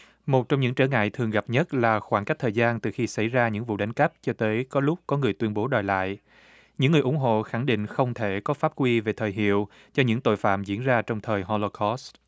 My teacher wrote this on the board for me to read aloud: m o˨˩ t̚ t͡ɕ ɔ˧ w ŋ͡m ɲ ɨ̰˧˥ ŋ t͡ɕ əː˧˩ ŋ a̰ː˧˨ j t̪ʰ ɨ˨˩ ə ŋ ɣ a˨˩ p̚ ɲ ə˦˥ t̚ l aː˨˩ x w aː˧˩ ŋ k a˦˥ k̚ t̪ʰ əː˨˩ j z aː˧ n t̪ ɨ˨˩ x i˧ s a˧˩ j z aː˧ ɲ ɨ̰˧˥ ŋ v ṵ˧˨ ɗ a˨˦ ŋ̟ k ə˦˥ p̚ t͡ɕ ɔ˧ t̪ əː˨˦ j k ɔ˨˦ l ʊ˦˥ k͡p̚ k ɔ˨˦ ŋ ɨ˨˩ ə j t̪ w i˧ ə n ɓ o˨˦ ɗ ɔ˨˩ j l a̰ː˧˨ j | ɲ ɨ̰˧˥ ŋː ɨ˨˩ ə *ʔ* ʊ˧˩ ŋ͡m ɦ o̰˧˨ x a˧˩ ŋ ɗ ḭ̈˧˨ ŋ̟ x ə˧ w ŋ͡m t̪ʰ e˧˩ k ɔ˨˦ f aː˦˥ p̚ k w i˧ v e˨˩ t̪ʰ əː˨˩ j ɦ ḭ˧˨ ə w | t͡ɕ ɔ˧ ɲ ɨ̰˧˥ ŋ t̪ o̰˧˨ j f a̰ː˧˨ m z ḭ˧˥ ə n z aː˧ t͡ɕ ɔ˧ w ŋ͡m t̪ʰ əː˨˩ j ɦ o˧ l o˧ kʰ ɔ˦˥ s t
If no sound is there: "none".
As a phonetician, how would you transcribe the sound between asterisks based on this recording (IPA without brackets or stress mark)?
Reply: ʔ